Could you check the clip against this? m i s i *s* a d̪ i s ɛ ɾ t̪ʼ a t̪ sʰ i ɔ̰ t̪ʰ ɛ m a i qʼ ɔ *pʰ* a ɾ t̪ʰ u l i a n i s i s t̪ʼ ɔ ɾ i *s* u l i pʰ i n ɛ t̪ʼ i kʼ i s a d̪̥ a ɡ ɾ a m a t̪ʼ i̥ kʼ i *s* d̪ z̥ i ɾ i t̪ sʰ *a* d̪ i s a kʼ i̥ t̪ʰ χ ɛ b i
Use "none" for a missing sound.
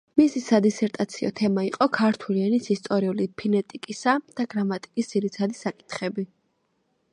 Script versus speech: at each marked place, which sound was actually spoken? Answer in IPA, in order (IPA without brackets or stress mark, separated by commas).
s, kʰ, none, s, a